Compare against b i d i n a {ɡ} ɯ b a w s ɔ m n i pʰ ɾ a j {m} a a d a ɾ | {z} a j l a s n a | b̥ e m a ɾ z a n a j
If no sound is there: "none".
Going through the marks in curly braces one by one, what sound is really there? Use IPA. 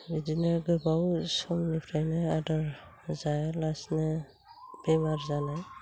ɡ, n, z

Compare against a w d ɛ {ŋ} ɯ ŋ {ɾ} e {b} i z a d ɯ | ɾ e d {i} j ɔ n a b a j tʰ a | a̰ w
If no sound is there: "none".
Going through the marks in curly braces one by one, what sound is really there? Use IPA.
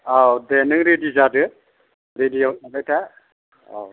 n, ɾ, d, i

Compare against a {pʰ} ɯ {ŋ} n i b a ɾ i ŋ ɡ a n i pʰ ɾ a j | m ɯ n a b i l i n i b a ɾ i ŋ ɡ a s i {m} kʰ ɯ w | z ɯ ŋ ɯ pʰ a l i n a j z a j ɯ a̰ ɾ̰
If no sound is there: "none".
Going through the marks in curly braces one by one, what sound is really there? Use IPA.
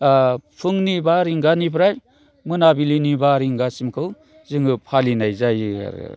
pʰ, ŋ, m

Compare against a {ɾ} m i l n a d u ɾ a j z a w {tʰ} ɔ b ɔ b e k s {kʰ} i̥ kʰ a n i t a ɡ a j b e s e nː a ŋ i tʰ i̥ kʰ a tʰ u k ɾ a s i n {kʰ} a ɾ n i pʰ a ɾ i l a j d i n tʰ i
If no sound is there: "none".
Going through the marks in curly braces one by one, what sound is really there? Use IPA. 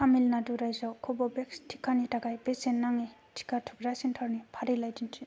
none, kʰ, tʰ, tʰ

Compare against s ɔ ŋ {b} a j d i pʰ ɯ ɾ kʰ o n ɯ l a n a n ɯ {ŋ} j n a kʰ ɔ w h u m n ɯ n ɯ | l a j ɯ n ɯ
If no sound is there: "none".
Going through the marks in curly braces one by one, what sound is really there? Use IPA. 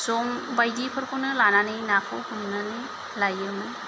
b, none

